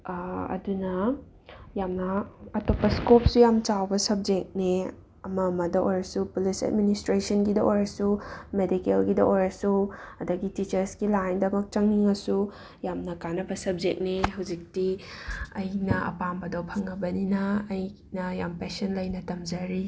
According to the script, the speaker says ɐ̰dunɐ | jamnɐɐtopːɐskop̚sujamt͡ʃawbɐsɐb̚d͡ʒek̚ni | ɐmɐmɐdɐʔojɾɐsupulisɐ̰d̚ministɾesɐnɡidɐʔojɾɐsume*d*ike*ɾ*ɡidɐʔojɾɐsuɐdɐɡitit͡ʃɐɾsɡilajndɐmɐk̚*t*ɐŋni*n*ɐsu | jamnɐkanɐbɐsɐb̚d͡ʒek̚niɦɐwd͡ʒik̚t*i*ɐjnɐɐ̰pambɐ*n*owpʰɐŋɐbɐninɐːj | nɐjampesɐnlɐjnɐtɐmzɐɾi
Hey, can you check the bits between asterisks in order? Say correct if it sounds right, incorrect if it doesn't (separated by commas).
correct, incorrect, incorrect, incorrect, correct, incorrect